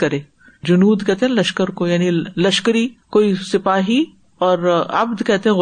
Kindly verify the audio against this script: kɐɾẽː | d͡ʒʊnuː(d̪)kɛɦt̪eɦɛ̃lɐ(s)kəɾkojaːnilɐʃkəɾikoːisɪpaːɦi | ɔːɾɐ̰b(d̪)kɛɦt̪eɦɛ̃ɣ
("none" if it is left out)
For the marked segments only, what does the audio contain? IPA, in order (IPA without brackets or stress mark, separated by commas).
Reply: d̪, ʃ, d̪